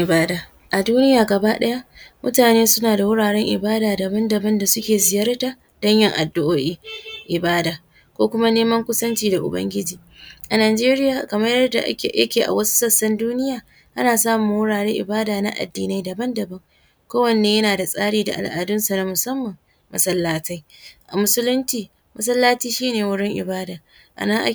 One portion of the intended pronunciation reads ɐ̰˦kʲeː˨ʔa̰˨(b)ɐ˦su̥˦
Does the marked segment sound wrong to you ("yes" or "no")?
yes